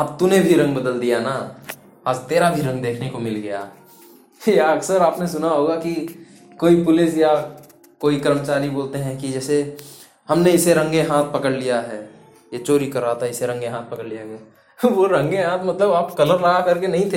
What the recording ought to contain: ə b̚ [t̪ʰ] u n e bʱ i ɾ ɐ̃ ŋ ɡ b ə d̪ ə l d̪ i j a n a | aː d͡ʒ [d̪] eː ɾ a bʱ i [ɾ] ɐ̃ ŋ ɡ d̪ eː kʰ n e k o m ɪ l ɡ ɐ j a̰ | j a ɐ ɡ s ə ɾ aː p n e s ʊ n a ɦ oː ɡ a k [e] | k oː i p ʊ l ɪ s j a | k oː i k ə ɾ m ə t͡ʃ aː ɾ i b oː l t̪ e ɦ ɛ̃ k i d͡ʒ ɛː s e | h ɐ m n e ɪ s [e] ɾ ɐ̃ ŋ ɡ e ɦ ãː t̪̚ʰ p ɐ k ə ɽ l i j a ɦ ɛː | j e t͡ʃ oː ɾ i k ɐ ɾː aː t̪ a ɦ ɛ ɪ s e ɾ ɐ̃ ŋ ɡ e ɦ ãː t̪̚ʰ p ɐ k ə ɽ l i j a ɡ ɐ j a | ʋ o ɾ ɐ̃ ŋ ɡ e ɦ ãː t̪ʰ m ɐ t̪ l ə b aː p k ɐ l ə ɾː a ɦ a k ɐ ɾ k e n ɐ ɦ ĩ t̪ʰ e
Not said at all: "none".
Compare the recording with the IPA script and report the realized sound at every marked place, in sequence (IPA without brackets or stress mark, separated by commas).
t̪, t̪, ɾ, i, e